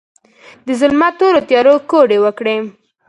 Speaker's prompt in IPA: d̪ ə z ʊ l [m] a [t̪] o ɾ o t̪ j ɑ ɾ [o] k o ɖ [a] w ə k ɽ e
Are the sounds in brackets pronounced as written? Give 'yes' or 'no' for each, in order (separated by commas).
yes, yes, yes, no